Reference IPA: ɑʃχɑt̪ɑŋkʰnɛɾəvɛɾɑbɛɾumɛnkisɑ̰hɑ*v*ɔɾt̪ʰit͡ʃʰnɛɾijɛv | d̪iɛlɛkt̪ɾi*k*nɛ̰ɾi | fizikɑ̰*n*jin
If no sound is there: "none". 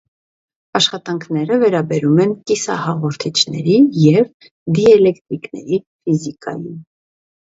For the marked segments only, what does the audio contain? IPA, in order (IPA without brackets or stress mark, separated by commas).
ʁ, k, none